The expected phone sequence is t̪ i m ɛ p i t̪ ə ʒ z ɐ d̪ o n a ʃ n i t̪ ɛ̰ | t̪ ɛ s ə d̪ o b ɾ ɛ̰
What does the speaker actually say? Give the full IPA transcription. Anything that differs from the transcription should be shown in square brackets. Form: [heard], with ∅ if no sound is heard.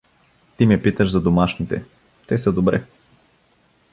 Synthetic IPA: t̪ i m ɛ p i t̪ ə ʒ z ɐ d̪ o [m] a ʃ n i t̪ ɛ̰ | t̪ ɛ s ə d̪ o b ɾ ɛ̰